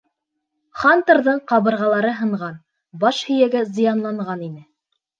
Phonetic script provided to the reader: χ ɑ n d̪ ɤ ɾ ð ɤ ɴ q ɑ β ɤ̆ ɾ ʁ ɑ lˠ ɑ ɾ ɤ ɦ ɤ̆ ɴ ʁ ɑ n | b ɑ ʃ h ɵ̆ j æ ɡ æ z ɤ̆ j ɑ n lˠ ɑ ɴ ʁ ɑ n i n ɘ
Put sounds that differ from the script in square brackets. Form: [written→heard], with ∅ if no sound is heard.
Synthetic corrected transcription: χ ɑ n [d̪→t̪] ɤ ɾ ð ɤ ɴ q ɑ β ɤ̆ ɾ ʁ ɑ lˠ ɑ ɾ ɤ ɦ ɤ̆ ɴ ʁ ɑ n | b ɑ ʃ h ɵ̆ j æ ɡ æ z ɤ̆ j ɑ n lˠ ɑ ɴ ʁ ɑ n i n ɘ